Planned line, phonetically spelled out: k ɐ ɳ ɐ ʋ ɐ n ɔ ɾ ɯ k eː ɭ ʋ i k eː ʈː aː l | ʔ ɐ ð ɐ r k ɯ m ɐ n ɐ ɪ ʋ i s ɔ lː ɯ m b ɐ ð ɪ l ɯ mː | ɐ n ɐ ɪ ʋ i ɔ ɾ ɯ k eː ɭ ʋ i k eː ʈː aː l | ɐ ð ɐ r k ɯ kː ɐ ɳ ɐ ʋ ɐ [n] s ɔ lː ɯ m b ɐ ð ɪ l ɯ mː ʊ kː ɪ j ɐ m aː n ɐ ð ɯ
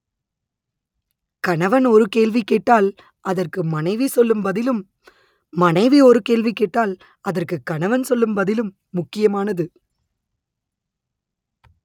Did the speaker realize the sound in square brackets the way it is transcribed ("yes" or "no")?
yes